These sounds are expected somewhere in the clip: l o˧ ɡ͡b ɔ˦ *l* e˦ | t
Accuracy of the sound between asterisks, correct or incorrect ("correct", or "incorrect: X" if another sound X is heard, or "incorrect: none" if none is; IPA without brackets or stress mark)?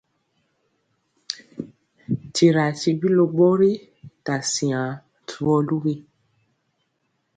incorrect: ɾ